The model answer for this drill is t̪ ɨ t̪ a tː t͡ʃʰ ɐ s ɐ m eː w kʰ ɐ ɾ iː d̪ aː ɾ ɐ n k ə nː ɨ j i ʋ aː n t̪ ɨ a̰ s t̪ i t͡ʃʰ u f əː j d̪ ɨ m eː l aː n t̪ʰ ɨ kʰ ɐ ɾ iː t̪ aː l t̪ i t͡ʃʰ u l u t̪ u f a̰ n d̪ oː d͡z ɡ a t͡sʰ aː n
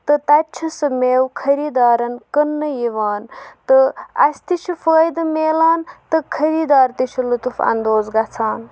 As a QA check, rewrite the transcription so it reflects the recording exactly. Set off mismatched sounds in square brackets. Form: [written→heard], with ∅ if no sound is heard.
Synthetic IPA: t̪ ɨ t̪ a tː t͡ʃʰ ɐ s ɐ m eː w kʰ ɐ ɾ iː d̪ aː ɾ ɐ n k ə nː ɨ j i ʋ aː n t̪ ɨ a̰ s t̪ i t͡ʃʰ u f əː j d̪ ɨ m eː l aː n [t̪ʰ→t̪] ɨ kʰ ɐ ɾ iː [t̪→d̪] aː [l→ɾ] t̪ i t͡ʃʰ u l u t̪ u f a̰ n d̪ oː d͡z ɡ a t͡sʰ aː n